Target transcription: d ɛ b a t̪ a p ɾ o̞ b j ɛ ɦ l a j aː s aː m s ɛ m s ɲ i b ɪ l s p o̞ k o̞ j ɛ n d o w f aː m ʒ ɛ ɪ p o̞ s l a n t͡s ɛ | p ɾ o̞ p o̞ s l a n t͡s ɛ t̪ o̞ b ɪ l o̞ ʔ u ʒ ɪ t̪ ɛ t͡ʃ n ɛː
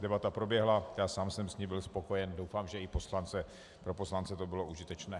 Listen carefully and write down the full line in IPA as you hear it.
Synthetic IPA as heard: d ɛ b a t̪ a p ɾ o̞ b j ɛ ɦ l a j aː s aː m s ɛ m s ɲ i b ɪ l s p o̞ k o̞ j ɛ n d o w f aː m ʒ ɛ ɪ p o̞ s l a n t͡s ɛ | p ɾ o̞ p o̞ s l a n t͡s ɛ t̪ o̞ b ɪ l o̞ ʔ u ʒ ɪ t̪ ɛ t͡ʃ n ɛː

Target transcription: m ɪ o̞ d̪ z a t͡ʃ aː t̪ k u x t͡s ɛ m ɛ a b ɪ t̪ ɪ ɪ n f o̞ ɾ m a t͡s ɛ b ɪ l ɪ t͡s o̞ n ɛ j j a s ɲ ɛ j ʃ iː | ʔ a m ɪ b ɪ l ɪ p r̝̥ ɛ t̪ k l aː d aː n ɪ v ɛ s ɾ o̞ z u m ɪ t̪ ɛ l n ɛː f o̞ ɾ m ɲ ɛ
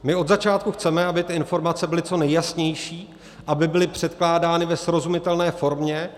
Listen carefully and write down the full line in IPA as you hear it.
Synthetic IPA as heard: m ɪ o̞ d̪ z a t͡ʃ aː t̪ k u x t͡s ɛ m ɛ a b ɪ t̪ ɪ ɪ n f o̞ ɾ m a t͡s ɛ b ɪ l ɪ t͡s o̞ n ɛ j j a s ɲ ɛ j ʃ iː | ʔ a b ɪ b ɪ l ɪ p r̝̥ ɛ t̪ k l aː d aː n ɪ v ɛ s ɾ o̞ z u m ɪ t̪ ɛ l n ɛː f o̞ ɾ m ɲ ɛ

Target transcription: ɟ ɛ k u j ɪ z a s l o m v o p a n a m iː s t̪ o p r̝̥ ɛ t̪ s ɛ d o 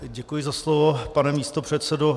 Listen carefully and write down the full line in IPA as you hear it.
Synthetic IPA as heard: ɟ ɛ k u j ɪ z a s l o v o p a n ɛ m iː s t̪ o p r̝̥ ɛ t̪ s ɛ d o

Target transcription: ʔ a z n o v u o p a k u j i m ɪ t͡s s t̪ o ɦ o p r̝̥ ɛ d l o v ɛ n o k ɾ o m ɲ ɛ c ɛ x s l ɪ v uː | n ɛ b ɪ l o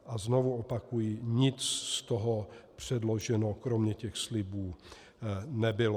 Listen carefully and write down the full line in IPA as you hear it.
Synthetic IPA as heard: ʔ a z n o v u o p a k u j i ɲ ɪ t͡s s t̪ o ɦ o p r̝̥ ɛ d l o ʒ ɛ n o k ɾ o m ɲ ɛ c ɛ x s l ɪ b uː | n ɛ b ɪ l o

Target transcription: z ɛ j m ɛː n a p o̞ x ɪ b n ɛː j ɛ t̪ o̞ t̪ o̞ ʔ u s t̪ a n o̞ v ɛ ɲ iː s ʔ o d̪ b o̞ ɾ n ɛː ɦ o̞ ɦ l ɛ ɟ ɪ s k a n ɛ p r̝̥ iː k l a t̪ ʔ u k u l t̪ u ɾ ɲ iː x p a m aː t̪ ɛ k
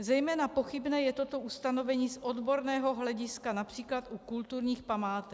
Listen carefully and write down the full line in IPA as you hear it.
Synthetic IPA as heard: z ɛ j m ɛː n a p o̞ x ɪ b n ɛː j ɛ t̪ o̞ t̪ o̞ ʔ u s t̪ a n o̞ v ɛ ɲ iː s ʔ o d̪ b o̞ ɾ n ɛː ɦ o̞ ɦ l ɛ ɟ ɪ s k a n a p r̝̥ iː k l a t̪ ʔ u k u l t̪ u ɾ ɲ iː x p a m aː t̪ ɛ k

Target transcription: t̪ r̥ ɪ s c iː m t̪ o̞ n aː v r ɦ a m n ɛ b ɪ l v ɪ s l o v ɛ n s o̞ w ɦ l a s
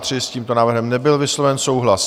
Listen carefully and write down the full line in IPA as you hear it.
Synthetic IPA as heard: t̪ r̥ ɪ s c iː m t̪ o̞ n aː v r ɦ ɛ m n ɛ b ɪ l v ɪ s l o v ɛ n s o̞ w ɦ l a s

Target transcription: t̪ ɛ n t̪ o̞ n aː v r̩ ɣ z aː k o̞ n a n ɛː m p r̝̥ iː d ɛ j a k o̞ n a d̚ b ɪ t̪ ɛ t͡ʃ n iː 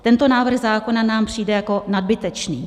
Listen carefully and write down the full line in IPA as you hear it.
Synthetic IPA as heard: t̪ ɛ n t̪ o̞ n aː v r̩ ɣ z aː k o̞ n a n aː m p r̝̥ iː d ɛ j a k o̞ n a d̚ b ɪ t̪ ɛ t͡ʃ n iː

